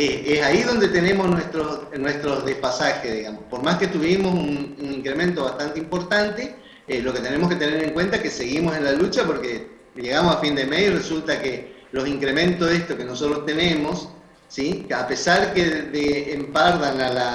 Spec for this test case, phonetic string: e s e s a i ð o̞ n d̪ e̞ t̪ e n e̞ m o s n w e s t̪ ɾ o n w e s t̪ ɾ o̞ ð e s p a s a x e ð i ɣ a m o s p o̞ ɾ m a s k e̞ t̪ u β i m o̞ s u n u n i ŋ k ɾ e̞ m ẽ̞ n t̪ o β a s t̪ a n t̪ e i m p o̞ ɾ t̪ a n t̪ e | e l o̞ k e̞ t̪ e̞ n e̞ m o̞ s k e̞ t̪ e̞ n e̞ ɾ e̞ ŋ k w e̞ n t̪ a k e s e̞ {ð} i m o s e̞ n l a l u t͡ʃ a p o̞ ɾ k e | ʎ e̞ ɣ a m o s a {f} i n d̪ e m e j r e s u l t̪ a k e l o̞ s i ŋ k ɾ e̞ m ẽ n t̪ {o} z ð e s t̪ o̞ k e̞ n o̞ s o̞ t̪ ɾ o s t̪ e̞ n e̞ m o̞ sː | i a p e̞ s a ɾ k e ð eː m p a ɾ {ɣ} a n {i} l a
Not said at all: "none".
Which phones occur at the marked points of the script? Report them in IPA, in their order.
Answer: ɣ, f, o, ð, a

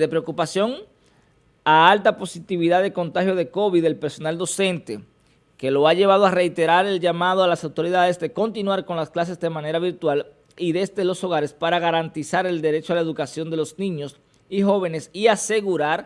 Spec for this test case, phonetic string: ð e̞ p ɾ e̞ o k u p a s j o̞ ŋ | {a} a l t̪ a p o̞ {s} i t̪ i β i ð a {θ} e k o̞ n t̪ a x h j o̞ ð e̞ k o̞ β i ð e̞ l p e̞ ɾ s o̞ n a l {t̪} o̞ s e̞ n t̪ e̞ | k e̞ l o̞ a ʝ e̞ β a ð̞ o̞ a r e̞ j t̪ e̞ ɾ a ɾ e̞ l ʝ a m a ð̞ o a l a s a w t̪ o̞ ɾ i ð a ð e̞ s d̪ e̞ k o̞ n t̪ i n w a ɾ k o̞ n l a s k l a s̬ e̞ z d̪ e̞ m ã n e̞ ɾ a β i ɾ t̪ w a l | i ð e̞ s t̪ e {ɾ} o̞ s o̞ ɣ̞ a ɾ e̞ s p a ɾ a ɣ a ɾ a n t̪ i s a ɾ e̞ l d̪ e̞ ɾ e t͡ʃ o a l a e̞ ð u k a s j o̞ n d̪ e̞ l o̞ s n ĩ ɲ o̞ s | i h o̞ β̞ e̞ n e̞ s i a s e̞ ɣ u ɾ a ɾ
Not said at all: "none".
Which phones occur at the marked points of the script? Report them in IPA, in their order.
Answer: a, s, ð, d̪, l

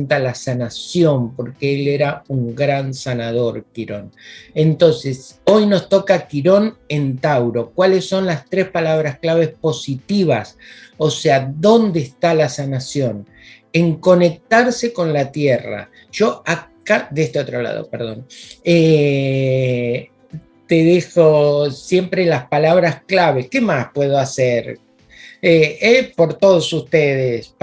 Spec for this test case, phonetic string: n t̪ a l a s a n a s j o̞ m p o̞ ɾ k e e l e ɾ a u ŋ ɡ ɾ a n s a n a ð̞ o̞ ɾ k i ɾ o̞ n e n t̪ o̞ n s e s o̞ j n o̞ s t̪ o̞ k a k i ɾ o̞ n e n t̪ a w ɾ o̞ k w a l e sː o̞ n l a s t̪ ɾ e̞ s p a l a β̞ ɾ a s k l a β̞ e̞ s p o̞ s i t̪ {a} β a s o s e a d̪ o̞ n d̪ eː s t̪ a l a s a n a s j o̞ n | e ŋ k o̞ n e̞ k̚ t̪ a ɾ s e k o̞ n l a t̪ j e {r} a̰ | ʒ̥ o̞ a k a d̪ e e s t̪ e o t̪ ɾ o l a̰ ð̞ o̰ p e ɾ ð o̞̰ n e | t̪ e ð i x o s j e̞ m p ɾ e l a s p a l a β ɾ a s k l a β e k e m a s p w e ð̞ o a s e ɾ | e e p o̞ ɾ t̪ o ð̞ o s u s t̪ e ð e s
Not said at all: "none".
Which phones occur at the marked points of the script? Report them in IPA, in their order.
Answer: i, r

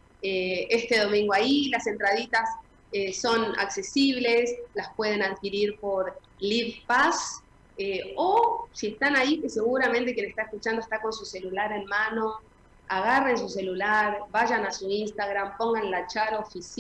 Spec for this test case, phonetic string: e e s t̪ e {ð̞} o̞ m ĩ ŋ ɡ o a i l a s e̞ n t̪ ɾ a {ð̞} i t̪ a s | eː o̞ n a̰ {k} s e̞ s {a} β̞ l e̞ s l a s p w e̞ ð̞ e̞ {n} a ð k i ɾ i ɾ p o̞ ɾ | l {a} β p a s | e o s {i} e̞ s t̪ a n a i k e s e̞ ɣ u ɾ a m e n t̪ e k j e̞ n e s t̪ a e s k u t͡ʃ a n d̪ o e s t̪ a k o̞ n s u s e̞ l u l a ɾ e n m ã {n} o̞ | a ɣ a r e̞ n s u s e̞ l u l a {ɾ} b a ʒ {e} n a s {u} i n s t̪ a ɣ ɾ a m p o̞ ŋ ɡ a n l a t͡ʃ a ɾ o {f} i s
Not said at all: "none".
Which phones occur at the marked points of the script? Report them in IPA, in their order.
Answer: ð̞, ð̞, k, i, n, i, i, n, ɾ, a, u, f

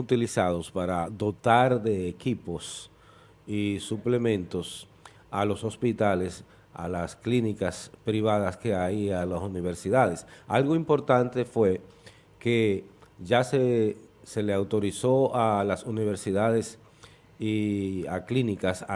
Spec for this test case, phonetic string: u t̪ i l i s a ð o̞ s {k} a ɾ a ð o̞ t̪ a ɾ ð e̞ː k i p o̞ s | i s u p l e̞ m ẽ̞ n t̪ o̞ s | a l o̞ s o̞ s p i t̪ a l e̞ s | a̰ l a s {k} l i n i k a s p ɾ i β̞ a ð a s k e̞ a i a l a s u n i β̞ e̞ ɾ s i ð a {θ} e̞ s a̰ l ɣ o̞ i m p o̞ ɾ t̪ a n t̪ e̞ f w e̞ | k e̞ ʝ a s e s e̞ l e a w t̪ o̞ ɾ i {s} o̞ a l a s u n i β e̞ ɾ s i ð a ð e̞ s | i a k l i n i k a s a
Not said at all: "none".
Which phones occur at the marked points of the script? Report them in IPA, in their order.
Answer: p, k, ð, s

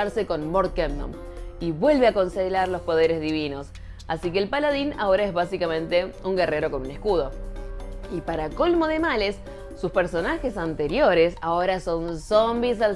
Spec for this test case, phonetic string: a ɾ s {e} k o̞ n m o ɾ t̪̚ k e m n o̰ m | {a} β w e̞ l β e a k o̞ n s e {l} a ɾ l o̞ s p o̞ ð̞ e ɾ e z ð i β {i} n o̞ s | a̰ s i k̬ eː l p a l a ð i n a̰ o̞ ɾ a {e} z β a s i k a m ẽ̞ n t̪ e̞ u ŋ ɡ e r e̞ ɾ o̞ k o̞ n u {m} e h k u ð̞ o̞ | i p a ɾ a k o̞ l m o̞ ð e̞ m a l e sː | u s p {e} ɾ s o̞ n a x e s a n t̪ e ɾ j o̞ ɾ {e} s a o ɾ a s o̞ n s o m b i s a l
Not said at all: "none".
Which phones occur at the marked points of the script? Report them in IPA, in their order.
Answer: e, i, l, i, e, n, e, e

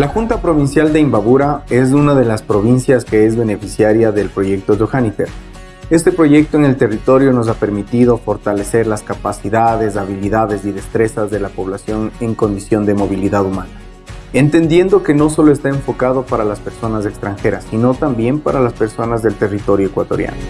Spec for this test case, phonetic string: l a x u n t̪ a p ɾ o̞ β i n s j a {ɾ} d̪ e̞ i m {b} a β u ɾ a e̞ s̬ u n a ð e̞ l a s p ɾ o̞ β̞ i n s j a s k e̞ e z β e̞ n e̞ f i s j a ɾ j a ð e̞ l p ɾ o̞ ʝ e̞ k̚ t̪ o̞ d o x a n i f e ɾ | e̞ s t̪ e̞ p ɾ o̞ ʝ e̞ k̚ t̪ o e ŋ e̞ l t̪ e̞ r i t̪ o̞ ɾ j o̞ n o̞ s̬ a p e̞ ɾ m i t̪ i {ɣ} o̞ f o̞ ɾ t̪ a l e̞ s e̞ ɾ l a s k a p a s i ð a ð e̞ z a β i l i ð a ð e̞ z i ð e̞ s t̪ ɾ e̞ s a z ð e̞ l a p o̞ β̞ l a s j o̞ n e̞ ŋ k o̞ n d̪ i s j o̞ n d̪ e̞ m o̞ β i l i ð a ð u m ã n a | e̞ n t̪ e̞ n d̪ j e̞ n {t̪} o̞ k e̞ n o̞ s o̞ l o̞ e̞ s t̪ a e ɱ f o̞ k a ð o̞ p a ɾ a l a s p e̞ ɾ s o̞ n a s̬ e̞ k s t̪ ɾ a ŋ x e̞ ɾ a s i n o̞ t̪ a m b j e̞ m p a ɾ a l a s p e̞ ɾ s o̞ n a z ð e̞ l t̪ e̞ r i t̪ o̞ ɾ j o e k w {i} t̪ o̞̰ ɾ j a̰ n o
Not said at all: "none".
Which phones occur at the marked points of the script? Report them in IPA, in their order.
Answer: l, b, ð, d̪, a

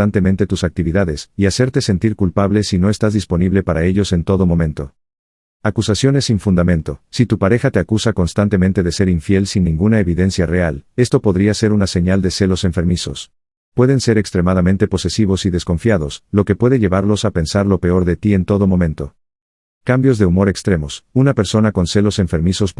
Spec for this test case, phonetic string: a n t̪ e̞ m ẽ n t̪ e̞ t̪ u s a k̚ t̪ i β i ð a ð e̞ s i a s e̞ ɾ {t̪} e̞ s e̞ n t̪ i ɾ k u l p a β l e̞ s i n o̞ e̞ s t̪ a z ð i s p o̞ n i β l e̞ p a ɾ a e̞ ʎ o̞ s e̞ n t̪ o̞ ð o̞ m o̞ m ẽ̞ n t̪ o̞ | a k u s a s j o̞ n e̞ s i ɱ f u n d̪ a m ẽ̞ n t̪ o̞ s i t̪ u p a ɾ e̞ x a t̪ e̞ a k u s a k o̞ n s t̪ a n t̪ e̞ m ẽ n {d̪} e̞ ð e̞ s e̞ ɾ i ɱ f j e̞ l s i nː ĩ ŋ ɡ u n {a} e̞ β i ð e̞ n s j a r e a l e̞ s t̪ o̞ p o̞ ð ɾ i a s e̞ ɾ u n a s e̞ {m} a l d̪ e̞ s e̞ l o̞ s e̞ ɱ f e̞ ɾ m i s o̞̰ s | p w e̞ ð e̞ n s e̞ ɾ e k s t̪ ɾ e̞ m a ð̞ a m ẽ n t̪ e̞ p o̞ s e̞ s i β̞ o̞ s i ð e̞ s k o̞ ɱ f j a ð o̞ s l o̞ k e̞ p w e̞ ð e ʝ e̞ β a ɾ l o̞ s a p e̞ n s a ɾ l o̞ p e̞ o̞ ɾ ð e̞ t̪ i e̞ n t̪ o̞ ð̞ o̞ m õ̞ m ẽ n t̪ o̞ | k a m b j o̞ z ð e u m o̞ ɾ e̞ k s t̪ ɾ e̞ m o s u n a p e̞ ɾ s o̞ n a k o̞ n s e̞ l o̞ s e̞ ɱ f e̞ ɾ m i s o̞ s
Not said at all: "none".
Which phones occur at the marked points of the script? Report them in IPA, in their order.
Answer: t̪, t̪, a, ɲ

